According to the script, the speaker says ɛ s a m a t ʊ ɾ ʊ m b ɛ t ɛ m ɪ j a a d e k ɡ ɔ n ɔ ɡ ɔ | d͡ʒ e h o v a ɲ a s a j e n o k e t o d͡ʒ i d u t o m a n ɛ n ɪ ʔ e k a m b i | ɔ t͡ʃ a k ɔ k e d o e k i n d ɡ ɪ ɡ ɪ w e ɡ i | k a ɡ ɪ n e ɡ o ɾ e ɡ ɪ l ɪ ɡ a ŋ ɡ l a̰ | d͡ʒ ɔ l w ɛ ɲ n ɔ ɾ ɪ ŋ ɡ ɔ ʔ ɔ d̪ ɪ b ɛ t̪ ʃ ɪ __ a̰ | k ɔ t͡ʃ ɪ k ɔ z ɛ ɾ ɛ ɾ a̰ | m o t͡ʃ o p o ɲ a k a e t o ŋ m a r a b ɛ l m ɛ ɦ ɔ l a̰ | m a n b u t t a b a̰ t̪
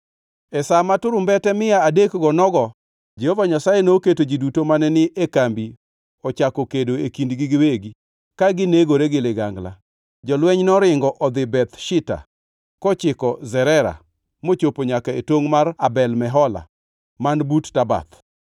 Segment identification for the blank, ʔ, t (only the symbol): t